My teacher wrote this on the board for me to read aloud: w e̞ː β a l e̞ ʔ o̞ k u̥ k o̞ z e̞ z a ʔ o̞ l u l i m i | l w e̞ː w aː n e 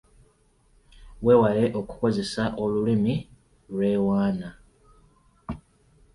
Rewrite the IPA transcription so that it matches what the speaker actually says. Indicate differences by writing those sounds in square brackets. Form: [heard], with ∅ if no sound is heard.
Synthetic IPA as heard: w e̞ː [w] a l e̞ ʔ o̞ k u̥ k o̞ z e̞ [s] a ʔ o̞ l u l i m i | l w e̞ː w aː n [a]

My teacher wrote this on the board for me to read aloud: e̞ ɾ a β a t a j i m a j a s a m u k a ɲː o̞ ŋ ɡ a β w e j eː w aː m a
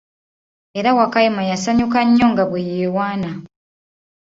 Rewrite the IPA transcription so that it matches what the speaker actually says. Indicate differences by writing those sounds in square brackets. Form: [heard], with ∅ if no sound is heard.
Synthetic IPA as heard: e̞ ɾ a [w] a [k] a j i m a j a s a [ɲ] u k a ɲː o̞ ŋ ɡ a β w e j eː w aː [n] a

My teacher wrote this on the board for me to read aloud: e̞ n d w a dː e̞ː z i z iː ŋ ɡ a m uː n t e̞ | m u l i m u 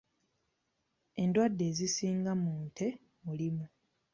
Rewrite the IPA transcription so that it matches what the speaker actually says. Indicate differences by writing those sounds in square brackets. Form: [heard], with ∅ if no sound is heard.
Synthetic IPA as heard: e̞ n d w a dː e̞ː z i [s] iː ŋ ɡ a m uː n t e̞ | m u l i m u

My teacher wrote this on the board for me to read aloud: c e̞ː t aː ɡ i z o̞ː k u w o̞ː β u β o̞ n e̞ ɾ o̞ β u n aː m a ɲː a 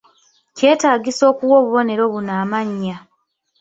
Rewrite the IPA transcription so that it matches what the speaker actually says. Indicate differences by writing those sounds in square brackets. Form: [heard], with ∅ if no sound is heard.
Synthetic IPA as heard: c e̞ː t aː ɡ i [s] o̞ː k u w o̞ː β u β o̞ n e̞ ɾ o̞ β u n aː m a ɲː a

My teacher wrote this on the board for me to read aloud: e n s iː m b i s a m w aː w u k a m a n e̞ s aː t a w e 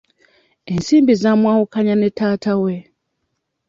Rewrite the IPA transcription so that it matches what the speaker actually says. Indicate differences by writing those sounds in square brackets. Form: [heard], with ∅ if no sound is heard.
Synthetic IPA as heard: e n s iː m b i [z] a m w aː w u k a [ɲ] a n e̞ [t] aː t a w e

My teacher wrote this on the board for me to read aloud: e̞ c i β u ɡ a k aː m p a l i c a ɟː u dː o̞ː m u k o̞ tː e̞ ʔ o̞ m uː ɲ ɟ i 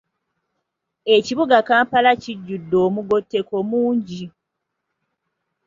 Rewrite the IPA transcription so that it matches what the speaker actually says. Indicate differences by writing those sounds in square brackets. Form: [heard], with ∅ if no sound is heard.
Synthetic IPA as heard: e̞ c i β u ɡ a k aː m p a l [a] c [i] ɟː u dː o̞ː m u [ɡ] o̞ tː e̞ [k] o̞ m uː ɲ ɟ i

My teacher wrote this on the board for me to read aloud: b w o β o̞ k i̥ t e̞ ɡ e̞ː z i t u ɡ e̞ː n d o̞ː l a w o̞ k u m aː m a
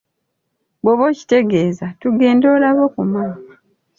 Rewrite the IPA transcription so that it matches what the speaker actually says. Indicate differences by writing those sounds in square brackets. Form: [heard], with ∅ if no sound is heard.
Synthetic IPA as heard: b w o β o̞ [c] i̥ t e̞ ɡ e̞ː z [a] t u ɡ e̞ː n d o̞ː l a [β] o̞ k u m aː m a

